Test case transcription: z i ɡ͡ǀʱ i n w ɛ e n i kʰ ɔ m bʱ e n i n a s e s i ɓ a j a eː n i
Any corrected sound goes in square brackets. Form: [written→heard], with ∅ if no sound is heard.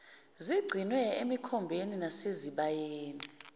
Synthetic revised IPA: z i ɡ͡ǀʱ i n w ɛ e [n→m] i kʰ ɔ m bʱ e n i n a s e [s→z] i ɓ a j [a→e] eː n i